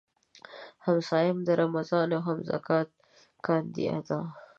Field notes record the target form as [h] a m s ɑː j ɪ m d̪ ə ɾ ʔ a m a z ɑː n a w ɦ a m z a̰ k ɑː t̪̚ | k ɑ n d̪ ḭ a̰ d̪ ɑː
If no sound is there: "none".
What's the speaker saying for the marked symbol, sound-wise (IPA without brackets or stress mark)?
h